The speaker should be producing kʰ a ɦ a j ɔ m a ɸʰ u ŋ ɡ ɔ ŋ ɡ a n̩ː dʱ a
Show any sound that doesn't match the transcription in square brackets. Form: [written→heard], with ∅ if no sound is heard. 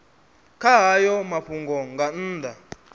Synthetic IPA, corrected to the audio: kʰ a ɦ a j ɔ m a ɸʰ u ŋ ɡ ɔ ŋ ɡ a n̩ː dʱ a